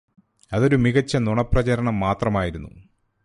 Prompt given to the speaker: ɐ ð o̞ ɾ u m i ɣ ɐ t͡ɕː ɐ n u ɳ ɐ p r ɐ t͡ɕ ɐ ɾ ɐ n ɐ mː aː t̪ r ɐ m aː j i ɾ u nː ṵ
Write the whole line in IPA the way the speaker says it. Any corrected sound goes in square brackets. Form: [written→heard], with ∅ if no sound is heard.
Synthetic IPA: ɐ ð o̞ ɾ u m i ɣ ɐ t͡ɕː ɐ n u ɳ ɐ p r ɐ t͡ɕ ɐ ɾ ɐ [n→ɳ] ɐ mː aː t̪ r ɐ m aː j i ɾ u nː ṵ